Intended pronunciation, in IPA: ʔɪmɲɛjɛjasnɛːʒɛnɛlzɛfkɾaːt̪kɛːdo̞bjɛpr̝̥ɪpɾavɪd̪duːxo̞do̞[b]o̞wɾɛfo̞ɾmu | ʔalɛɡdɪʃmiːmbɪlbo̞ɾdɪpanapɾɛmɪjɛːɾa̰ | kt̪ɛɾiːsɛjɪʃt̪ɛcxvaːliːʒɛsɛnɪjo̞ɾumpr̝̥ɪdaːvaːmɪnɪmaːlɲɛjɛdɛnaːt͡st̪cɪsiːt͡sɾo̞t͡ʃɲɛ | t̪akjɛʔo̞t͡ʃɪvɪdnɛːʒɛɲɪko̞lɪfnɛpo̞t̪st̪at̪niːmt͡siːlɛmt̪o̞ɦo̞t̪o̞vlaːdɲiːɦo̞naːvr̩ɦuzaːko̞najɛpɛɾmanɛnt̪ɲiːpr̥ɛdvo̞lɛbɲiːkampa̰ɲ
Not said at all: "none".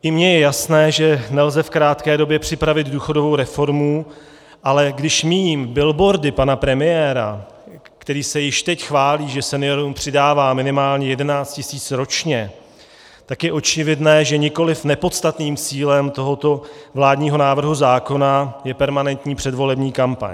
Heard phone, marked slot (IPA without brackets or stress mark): v